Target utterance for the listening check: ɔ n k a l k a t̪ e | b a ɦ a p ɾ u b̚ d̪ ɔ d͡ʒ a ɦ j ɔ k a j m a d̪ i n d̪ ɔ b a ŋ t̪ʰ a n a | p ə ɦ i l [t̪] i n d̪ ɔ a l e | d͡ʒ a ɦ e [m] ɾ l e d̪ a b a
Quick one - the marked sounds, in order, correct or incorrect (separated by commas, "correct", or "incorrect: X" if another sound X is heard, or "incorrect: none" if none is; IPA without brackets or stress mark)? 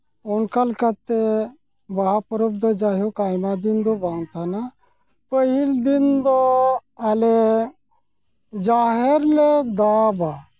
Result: incorrect: d̪, incorrect: none